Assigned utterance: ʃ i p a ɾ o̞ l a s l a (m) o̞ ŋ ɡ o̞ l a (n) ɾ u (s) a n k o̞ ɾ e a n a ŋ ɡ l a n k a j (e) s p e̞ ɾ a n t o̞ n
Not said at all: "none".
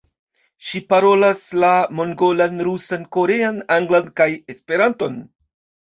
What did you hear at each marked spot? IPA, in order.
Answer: m, n, s, e

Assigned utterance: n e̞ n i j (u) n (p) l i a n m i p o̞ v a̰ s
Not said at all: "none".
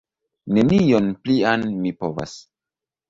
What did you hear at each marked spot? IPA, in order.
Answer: o, p

